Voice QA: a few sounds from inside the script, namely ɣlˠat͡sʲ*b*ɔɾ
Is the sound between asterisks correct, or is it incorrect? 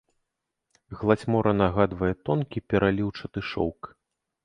incorrect: m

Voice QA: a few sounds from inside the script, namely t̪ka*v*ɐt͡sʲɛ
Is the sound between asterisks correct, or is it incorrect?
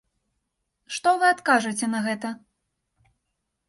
incorrect: ʐ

